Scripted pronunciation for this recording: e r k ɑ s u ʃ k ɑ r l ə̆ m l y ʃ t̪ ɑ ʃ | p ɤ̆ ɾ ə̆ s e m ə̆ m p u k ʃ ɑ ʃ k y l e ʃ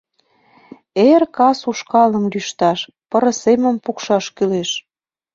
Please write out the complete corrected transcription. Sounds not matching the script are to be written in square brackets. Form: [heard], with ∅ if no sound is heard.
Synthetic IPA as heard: e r k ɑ s u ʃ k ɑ [∅] l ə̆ m l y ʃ t̪ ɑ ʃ | p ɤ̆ ɾ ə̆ s e m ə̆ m p u k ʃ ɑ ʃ k y l e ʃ